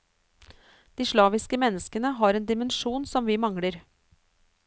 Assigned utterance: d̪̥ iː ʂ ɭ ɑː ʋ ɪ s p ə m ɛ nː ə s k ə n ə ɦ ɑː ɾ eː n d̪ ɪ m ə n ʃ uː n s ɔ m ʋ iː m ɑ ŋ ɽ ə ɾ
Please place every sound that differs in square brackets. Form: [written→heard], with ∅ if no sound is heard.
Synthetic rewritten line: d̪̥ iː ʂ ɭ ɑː ʋ ɪ s [p→k] ə m ɛ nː ə s k ə n ə ɦ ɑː ɾ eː n d̪ ɪ m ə n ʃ uː n s ɔ m ʋ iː m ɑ ŋ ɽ ə ɾ

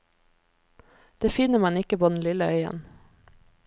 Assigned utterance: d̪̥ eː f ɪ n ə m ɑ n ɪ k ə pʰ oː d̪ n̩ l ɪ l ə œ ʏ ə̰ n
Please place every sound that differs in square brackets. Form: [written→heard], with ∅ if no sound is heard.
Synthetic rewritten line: d̪̥ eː f ɪ n ə m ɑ n ɪ k ə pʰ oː d̪ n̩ l ɪ l ə œ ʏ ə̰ n

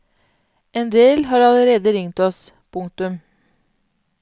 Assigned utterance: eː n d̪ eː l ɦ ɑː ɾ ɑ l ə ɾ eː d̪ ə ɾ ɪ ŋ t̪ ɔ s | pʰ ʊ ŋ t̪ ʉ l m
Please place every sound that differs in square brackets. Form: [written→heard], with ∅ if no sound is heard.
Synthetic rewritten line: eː n d̪ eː l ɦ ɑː ɾ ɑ l ə ɾ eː d̪ ə ɾ ɪ ŋ t̪ ɔ s | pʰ ʊ ŋ t̪ ʉ [l→∅] m

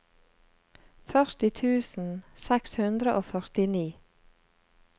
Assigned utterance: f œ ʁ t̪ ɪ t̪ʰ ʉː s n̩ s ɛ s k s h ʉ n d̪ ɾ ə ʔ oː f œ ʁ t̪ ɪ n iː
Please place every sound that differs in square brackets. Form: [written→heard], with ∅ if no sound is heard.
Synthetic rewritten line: f œ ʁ t̪ ɪ t̪ʰ ʉː s n̩ s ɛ [s→∅] k s h ʉ n d̪ ɾ ə ʔ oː f œ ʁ t̪ ɪ n iː

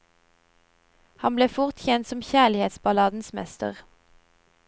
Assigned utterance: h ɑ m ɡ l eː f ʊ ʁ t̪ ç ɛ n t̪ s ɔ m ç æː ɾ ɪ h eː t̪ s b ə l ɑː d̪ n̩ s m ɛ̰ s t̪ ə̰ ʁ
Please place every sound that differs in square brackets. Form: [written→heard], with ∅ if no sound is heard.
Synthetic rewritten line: h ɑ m [ɡ→b] l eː f ʊ ʁ t̪ ç ɛ n t̪ s ɔ m ç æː [ɾ→l] ɪ h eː t̪ s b [ə→ɑ] l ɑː d̪ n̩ s m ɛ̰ s t̪ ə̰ ʁ

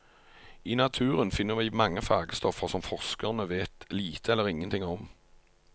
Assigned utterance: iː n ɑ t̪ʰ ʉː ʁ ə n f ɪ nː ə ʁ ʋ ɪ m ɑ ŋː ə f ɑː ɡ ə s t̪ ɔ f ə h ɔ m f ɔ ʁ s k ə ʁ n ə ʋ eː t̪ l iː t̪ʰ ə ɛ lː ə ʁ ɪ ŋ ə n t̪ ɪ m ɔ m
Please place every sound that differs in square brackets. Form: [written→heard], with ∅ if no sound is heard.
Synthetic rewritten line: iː n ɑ t̪ʰ ʉː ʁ ə n f ɪ nː ə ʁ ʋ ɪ m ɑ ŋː ə f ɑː ɡ ə s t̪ ɔ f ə [h→s] ɔ m f ɔ ʁ s k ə ʁ n ə ʋ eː t̪ l iː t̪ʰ ə ɛ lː ə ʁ ɪ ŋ ə n t̪ ɪ [m→ŋ] ɔ m

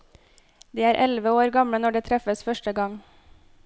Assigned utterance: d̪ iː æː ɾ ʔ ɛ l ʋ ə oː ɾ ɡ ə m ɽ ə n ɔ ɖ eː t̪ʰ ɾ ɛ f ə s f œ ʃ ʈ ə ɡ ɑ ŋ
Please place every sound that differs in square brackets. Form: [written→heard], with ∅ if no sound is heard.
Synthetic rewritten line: d̪ iː æː ɾ ʔ ɛ l ʋ ə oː ɾ ɡ [ə→ɑ] m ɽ ə n ɔ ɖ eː t̪ʰ ɾ ɛ f ə s f œ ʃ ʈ ə ɡ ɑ ŋ

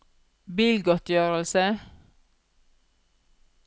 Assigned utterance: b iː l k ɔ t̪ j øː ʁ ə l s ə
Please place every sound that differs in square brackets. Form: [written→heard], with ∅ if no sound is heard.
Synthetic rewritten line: b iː l [k→ɡ] ɔ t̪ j øː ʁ ə l s ə

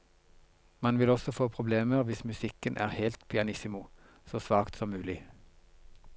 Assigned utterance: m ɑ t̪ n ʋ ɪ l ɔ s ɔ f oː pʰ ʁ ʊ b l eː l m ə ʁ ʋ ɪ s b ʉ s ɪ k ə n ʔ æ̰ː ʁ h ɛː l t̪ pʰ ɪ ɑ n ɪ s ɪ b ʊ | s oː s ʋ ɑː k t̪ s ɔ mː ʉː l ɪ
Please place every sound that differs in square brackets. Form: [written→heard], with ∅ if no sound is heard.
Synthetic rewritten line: m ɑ [t̪→∅] n ʋ ɪ l ɔ s ɔ f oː pʰ ʁ ʊ b l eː [l→∅] m ə ʁ ʋ ɪ s [b→m] ʉ s ɪ k ə n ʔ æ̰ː ʁ h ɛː l t̪ pʰ ɪ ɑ n ɪ s ɪ [b→m] ʊ | s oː s ʋ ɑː k t̪ s ɔ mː ʉː l ɪ

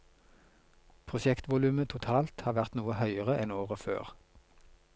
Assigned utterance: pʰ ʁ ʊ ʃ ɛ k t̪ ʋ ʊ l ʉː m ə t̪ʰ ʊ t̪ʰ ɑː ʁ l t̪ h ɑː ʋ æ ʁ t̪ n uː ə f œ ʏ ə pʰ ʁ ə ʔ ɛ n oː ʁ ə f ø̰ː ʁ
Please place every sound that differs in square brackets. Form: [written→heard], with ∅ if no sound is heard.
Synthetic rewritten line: pʰ ʁ ʊ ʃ ɛ k t̪ ʋ ʊ l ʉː m ə t̪ʰ ʊ t̪ʰ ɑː [ʁ→∅] l t̪ h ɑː ʋ æ ʁ t̪ n uː ə [f→h] œ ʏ ə [pʰ→∅] ʁ ə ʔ ɛ n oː ʁ ə f ø̰ː ʁ

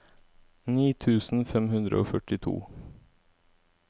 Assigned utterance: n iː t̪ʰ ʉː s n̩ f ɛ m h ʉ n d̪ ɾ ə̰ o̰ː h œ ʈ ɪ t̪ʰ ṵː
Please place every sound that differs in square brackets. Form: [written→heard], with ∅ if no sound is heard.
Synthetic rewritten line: n iː t̪ʰ ʉː s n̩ f ɛ m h ʉ n d̪ ɾ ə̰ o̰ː [h→f] œ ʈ ɪ t̪ʰ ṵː

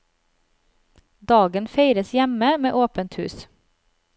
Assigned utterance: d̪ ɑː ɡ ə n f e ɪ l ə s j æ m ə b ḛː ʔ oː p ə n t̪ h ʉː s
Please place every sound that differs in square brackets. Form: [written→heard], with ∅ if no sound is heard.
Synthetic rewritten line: d̪ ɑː ɡ ə n f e ɪ [l→ɾ] ə s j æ m ə [b→m] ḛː ʔ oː p ə n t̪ h ʉː s

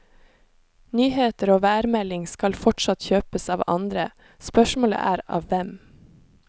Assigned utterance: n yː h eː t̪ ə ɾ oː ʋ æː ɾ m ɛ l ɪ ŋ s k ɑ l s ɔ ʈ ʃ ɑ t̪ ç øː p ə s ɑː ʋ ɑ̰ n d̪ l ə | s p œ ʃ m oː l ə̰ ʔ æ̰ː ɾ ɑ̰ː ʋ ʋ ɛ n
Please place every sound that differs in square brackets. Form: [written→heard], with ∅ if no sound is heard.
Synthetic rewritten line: n yː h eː t̪ ə ɾ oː ʋ æː ɾ m ɛ l ɪ ŋ s k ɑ l [s→f] ɔ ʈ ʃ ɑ t̪ ç øː p ə s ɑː ʋ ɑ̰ n d̪ [l→ɾ] ə | s p œ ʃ m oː l ə̰ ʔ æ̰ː ɾ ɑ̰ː ʋ ʋ ɛ [n→m]

